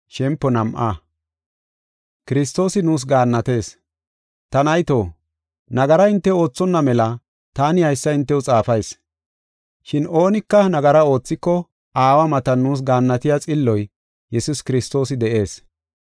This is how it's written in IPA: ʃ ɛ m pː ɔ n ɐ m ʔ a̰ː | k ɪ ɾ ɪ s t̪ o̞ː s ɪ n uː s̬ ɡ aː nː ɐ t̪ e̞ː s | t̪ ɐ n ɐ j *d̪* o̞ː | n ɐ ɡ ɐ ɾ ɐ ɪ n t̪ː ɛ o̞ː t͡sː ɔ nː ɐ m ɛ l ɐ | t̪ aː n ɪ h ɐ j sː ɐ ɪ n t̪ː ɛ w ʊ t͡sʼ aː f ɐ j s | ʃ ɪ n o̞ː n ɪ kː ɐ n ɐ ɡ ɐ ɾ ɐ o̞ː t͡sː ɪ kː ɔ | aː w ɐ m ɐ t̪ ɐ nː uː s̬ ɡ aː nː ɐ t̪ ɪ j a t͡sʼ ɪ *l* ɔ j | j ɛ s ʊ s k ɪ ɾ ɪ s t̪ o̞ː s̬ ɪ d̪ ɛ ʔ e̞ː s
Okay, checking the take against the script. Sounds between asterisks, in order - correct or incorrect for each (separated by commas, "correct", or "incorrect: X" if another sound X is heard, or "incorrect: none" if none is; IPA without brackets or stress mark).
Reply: incorrect: t̪, incorrect: lː